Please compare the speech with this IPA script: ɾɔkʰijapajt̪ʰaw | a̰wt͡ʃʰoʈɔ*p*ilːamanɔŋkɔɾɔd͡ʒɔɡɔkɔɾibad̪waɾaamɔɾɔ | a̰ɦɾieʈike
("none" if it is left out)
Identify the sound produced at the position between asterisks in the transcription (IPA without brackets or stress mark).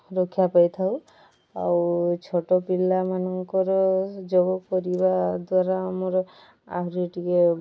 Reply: p